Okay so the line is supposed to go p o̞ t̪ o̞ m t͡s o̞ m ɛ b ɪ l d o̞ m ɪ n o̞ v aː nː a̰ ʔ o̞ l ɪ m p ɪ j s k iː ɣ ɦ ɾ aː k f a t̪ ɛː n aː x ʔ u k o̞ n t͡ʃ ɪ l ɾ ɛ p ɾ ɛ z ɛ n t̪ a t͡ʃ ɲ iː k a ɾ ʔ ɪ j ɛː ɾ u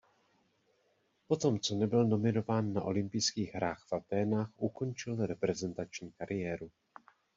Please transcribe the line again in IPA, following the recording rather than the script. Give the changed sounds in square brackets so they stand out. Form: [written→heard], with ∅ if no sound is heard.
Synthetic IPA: p o̞ t̪ o̞ m t͡s o̞ [m→n] ɛ b ɪ l [d→n] o̞ m ɪ n o̞ v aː nː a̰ ʔ o̞ l ɪ m p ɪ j s k iː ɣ ɦ ɾ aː [k→x] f a t̪ ɛː n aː x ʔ u k o̞ n t͡ʃ ɪ l ɾ ɛ p ɾ ɛ z ɛ n t̪ a t͡ʃ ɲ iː k a ɾ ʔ ɪ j ɛː ɾ u